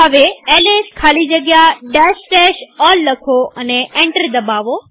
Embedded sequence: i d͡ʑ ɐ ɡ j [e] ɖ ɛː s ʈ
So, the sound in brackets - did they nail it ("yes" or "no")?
no